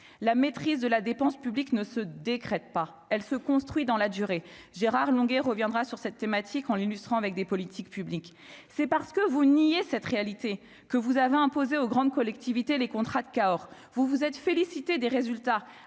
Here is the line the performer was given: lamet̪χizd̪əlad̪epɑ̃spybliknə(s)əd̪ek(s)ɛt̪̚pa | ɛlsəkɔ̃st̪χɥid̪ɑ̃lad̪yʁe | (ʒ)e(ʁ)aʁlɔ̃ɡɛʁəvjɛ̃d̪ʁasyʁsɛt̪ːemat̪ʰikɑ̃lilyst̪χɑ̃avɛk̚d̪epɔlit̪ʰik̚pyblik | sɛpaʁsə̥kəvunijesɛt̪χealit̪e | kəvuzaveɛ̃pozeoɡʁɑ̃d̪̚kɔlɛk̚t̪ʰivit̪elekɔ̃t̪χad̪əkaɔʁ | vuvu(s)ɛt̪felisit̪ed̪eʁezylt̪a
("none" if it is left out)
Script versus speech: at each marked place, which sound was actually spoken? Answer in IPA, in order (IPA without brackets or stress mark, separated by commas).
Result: s, χ, ʒ, ʁ, z